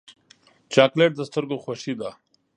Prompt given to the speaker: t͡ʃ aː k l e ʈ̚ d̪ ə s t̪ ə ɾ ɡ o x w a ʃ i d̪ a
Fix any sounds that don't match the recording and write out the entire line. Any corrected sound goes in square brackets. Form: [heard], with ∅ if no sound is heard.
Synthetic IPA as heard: t͡ʃ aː k l e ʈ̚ d̪ ə s t̪ ə ɾ ɡ o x w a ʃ i d̪ a